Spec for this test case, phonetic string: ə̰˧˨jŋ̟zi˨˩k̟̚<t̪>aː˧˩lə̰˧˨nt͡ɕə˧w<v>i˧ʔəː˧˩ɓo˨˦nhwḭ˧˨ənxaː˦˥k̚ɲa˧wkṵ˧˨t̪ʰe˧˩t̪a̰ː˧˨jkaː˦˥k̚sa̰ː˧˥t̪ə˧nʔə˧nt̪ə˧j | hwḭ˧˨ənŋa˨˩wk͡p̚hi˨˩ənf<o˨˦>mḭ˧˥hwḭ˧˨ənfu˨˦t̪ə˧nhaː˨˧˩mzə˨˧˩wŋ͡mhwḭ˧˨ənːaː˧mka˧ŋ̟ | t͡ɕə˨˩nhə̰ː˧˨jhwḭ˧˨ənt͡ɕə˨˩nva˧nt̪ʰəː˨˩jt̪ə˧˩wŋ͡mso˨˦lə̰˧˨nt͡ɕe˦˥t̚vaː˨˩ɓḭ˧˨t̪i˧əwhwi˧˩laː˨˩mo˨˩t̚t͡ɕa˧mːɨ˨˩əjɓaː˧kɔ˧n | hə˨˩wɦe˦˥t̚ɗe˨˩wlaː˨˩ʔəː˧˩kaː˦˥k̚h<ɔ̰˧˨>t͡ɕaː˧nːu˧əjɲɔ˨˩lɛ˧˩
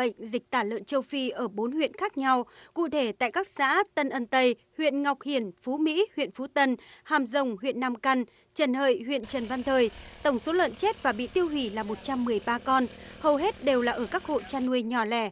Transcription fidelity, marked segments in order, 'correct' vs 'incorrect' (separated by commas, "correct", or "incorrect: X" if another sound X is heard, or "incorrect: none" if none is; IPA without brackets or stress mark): correct, incorrect: f, incorrect: u˨˦, incorrect: o̰˧˨